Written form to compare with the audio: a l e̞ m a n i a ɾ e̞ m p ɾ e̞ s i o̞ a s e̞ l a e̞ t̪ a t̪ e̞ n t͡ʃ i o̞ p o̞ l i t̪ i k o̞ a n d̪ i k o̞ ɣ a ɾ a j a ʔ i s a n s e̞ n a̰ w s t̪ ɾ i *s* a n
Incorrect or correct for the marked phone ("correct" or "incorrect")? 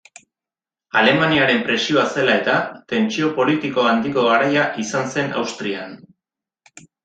incorrect